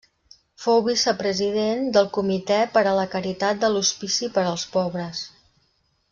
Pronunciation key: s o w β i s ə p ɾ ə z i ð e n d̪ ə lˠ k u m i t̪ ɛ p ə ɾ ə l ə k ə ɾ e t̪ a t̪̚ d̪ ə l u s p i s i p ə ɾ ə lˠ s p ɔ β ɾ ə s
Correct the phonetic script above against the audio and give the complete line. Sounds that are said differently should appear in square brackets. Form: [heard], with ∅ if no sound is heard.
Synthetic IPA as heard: [f] o w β i s ə p ɾ ə z i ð e n d̪ ə lˠ k u m i t̪ ɛ p ə ɾ ə l ə k ə ɾ [i] t̪ a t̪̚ d̪ ə l u s p i s i p ə ɾ ə lˠ s p ɔ β ɾ ə s